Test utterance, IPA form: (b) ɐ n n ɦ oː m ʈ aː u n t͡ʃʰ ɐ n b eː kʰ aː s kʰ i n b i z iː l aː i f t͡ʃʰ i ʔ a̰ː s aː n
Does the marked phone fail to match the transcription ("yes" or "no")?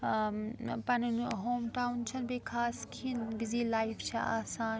yes